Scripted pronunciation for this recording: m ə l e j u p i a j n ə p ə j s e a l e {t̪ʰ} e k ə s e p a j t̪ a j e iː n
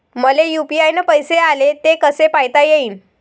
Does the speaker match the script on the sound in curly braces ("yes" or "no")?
no